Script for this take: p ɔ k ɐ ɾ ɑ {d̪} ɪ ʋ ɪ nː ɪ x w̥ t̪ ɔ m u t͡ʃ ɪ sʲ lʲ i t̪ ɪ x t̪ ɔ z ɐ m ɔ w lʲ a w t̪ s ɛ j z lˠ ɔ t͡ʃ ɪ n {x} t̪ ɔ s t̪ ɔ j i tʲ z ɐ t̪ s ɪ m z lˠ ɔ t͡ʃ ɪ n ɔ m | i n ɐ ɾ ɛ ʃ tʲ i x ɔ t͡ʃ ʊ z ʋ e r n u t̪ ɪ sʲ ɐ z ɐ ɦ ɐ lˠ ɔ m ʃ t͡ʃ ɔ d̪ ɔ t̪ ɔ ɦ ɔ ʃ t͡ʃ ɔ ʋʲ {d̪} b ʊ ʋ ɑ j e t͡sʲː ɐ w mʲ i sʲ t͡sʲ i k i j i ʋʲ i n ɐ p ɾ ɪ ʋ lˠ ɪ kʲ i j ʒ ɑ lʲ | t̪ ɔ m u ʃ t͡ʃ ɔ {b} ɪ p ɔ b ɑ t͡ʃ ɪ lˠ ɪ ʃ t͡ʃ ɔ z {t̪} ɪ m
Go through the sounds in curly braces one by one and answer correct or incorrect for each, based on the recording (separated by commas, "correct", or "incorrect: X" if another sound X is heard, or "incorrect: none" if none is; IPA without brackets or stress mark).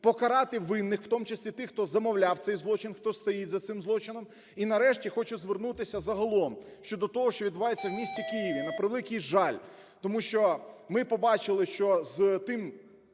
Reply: incorrect: t̪, correct, correct, incorrect: m, correct